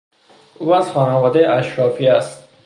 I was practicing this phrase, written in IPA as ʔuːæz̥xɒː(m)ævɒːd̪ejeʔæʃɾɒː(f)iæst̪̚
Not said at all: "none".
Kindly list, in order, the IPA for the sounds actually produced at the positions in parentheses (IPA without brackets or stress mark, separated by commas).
n, f